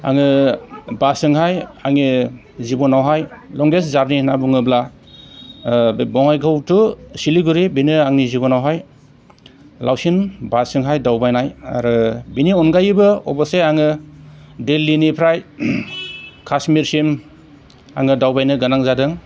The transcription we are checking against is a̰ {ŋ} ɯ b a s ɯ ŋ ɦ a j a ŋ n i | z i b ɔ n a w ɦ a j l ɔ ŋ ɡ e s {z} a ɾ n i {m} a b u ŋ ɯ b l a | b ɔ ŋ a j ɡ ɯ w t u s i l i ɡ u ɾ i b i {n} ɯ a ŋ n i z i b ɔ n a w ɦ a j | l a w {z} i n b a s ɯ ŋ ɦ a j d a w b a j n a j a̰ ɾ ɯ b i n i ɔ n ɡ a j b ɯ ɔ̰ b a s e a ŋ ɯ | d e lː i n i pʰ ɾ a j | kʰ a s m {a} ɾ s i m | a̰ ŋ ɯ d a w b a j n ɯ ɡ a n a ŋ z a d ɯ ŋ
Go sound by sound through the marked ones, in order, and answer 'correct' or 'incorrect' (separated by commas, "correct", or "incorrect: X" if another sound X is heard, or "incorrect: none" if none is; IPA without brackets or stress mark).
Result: correct, correct, incorrect: n, correct, incorrect: s, incorrect: i